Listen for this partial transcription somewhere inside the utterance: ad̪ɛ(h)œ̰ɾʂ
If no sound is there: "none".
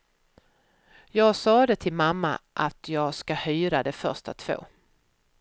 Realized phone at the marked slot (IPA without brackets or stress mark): f